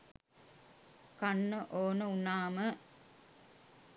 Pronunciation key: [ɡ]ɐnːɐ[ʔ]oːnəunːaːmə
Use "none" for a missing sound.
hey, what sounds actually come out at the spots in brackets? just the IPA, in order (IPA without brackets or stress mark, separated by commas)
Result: k, ʔ